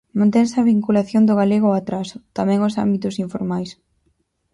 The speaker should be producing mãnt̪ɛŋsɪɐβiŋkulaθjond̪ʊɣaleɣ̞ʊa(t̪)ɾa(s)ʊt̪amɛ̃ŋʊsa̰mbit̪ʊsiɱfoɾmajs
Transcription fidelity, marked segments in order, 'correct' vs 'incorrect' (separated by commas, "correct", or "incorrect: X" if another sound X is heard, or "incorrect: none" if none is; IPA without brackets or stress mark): correct, correct